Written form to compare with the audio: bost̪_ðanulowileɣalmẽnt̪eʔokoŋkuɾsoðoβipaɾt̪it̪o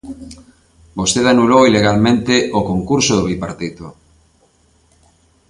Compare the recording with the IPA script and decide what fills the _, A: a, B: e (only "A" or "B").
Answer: B